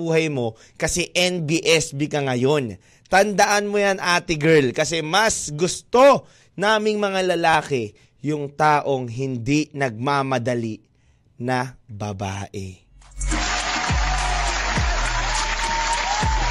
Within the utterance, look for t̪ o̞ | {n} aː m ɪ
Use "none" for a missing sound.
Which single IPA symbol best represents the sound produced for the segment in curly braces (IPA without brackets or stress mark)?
n